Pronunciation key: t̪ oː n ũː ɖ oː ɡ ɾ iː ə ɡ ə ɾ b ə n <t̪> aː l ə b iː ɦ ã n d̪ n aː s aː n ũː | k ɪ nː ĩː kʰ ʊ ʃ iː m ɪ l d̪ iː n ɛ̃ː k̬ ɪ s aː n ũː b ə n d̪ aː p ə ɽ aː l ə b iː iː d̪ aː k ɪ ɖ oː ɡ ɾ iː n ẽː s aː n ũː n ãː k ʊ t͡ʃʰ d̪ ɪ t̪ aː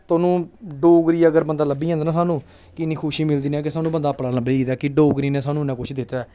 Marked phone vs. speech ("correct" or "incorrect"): incorrect